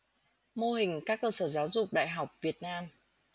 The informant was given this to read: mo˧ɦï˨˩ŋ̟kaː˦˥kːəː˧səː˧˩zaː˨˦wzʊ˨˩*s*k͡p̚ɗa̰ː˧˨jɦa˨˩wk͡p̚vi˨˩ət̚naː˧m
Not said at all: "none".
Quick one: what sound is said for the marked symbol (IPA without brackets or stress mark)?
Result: none